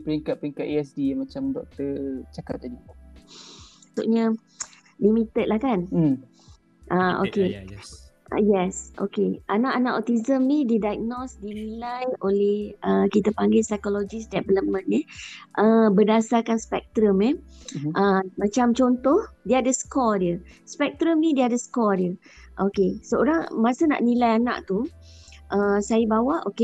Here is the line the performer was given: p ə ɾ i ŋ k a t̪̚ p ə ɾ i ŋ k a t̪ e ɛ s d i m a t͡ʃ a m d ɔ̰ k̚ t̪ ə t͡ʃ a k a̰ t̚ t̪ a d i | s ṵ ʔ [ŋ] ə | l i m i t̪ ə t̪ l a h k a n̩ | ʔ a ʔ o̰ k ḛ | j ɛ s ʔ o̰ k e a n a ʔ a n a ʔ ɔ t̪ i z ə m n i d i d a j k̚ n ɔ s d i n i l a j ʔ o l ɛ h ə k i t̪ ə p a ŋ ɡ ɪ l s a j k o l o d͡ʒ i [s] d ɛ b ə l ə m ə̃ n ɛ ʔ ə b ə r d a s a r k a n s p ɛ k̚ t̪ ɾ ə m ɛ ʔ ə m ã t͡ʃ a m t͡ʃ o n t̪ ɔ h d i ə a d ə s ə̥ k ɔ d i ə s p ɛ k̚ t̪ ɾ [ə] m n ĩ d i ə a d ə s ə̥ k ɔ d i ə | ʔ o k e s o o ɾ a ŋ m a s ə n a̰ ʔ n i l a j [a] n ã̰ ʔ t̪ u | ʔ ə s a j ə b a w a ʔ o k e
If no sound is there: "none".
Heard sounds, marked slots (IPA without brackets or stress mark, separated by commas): ɲ, s, ə, a